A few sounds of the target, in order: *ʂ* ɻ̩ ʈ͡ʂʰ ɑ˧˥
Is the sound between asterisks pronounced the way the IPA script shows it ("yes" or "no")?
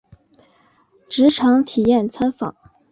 no